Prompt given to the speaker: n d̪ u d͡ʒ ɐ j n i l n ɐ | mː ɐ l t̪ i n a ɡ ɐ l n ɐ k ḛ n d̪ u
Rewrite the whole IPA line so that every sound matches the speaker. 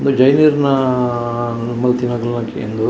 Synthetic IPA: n d̪ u d͡ʒ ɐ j n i ɾ n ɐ | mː ɐ l t̪ i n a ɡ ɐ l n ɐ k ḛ n d̪ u